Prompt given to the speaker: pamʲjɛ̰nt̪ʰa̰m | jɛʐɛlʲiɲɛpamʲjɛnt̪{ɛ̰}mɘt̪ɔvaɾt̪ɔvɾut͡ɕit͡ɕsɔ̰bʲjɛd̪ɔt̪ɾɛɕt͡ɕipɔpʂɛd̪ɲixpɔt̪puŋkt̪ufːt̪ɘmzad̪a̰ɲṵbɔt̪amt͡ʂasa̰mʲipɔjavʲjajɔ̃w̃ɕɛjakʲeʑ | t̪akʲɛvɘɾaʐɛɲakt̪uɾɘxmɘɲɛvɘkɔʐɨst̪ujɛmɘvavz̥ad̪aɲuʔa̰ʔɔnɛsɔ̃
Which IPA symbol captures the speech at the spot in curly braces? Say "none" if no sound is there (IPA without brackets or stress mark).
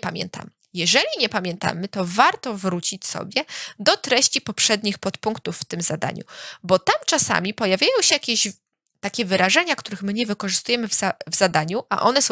a̰